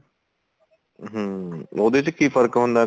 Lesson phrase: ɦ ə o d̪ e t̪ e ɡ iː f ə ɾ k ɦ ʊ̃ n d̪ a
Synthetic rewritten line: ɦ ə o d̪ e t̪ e k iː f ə ɾ k ɦ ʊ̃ n d̪ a